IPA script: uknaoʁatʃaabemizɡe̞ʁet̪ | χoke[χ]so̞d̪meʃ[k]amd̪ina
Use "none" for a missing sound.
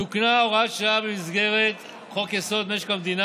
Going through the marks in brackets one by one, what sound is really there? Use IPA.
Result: none, k

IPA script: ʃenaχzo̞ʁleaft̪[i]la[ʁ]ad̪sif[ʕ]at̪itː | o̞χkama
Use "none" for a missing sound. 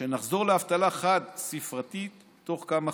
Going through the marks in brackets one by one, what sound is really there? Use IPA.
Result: a, χ, ʁ

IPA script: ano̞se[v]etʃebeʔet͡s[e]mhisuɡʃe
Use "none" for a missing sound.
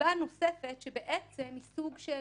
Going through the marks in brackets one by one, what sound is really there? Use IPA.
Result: f, e

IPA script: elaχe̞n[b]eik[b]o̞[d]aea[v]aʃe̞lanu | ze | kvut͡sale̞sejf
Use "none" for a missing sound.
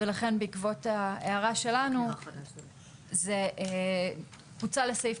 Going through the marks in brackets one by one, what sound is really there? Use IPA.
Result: b, v, t, ʁ

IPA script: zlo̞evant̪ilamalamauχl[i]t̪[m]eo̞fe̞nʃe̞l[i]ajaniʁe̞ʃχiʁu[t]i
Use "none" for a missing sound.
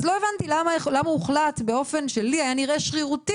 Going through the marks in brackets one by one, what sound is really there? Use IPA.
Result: a, b, i, t

